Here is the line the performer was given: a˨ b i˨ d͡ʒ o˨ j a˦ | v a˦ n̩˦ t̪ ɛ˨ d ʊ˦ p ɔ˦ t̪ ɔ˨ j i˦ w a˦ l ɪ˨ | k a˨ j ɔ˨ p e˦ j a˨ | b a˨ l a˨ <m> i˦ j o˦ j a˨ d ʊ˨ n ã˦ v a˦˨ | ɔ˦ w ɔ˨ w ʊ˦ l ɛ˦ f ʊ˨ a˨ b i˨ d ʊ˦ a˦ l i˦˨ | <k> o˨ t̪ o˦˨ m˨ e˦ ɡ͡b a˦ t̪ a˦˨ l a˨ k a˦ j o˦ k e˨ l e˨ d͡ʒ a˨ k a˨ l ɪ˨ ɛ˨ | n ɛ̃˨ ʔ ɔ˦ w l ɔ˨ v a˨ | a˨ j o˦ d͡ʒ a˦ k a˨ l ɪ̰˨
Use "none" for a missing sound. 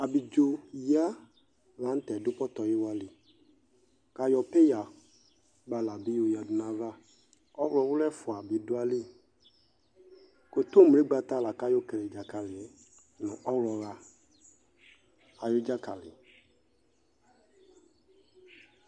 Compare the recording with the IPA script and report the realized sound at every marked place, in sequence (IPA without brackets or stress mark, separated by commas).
b, k